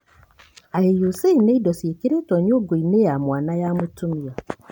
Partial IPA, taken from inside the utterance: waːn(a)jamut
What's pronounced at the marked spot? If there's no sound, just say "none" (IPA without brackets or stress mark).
a